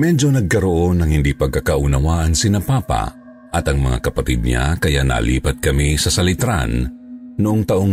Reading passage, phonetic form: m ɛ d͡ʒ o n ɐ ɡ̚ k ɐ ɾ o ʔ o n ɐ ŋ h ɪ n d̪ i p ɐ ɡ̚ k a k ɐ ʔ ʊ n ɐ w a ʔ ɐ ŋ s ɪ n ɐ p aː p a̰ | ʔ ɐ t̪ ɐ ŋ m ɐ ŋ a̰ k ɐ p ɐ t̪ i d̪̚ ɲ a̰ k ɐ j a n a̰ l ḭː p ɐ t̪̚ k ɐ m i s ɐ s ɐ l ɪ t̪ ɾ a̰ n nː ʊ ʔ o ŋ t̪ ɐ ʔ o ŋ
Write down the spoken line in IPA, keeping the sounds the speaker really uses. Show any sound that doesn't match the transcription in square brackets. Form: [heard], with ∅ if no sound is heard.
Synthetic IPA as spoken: m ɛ d͡ʒ o n ɐ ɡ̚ k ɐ ɾ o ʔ o n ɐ ŋ h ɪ n d̪ i p ɐ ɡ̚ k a k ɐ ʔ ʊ n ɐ w a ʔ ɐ ŋ s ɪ n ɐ p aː p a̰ | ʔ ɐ t̪ ɐ ŋ m ɐ ŋ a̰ k ɐ p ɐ t̪ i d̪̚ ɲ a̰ k ɐ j a n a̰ l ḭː p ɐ t̪̚ k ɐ m i s ɐ s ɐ l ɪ t̪ ɾ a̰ n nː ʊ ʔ o ŋ t̪ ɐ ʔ o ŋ